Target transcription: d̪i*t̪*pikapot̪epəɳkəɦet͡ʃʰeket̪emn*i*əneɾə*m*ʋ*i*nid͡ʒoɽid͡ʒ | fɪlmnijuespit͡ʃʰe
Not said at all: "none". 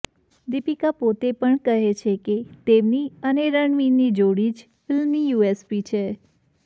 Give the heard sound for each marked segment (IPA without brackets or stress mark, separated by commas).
none, i, ɳ, i